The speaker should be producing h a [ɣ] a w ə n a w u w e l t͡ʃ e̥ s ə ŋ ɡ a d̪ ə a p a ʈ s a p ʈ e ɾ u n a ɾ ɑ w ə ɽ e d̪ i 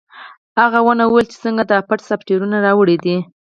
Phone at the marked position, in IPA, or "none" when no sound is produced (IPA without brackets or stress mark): ɣ